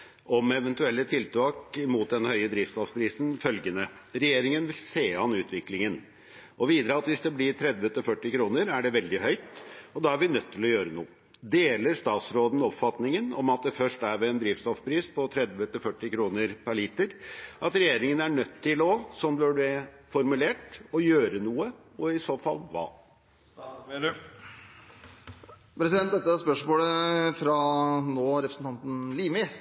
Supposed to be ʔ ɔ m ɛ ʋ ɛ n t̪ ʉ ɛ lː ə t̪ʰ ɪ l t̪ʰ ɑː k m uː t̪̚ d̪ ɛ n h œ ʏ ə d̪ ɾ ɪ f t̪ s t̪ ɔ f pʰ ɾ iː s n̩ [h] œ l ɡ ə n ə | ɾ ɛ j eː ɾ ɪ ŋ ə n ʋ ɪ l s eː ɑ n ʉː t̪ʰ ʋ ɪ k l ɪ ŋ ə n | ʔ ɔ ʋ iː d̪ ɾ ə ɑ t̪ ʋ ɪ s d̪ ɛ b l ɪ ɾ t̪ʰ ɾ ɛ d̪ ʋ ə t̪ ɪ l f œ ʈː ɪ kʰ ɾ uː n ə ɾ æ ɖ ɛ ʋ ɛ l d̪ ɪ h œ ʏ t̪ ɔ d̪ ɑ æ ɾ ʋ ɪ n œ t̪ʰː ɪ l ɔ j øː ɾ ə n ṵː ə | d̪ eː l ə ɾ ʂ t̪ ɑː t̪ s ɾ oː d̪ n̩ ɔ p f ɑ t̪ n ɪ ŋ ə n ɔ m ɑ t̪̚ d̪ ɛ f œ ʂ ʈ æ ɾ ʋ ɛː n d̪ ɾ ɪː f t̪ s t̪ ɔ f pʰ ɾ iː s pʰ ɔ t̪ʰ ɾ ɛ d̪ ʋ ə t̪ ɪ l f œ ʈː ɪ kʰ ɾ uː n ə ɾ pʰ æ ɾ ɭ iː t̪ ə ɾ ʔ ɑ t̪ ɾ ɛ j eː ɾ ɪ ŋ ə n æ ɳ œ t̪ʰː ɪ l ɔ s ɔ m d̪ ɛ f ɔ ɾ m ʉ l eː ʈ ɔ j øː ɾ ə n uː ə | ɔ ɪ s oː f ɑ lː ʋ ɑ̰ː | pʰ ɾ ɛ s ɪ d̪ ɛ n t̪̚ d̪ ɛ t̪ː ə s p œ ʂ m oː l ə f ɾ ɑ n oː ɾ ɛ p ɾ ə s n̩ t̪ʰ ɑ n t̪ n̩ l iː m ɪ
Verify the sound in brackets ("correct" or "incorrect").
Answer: incorrect